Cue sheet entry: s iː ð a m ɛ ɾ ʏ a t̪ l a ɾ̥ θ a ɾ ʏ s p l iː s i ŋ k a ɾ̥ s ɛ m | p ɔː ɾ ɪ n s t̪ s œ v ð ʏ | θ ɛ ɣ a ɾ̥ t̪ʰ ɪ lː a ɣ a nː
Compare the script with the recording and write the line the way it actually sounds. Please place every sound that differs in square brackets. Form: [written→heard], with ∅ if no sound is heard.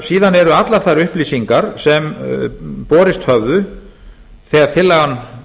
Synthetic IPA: s iː ð a [m→n] ɛ ɾ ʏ a t̪ l a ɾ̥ θ a ɾ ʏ [s→h] p l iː s i ŋ k a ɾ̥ s ɛ m | p ɔː ɾ ɪ [n→∅] s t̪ [s→h] œ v ð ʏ | θ ɛ ɣ a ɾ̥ t̪ʰ ɪ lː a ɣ a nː